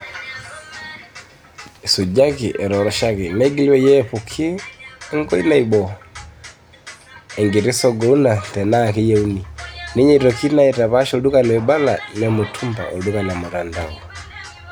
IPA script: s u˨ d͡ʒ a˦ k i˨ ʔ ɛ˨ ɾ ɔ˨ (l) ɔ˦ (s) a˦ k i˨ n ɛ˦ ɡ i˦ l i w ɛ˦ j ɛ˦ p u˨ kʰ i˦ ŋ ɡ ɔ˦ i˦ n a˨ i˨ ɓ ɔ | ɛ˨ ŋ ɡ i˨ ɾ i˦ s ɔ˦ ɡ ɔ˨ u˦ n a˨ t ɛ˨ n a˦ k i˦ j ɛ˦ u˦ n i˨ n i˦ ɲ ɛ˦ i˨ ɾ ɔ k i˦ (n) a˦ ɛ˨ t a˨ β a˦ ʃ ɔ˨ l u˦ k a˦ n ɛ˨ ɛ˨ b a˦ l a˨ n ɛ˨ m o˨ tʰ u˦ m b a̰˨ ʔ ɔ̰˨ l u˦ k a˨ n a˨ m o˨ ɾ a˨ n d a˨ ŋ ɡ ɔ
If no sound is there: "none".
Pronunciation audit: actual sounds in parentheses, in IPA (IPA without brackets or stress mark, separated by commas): ɾ, ʃ, n